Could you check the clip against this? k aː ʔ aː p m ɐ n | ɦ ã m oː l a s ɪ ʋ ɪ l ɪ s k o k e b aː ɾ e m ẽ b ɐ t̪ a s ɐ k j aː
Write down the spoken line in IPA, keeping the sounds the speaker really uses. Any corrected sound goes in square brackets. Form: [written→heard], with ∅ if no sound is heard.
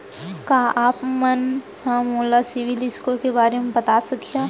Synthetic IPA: k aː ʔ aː p m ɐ n | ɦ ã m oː l a s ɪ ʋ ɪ l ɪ s k o k e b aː ɾ e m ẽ b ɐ t̪ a s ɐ k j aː